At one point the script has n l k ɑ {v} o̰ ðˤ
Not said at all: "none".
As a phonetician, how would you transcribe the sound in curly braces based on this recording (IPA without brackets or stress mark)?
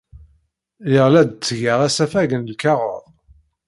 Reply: ʁ